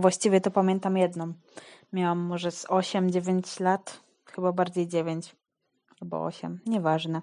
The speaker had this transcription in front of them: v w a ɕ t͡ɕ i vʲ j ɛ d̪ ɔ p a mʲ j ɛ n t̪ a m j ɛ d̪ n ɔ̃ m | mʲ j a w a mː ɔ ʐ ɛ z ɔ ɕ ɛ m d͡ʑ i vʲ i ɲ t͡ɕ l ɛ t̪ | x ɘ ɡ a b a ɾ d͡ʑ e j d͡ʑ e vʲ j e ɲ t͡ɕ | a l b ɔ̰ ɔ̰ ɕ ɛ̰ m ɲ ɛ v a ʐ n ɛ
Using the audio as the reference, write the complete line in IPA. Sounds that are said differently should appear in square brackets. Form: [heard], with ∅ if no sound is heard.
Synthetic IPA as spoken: v w a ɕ t͡ɕ i vʲ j ɛ [t̪] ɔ p a mʲ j ɛ n t̪ a m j ɛ d̪ n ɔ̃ m | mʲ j a w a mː ɔ ʐ ɛ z ɔ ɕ ɛ m d͡ʑ [e] vʲ [e] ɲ t͡ɕ l [a] t̪ | x ɘ [b] a b a ɾ d͡ʑ e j d͡ʑ e vʲ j e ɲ t͡ɕ | a l b ɔ̰ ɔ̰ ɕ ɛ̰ m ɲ ɛ v a ʐ n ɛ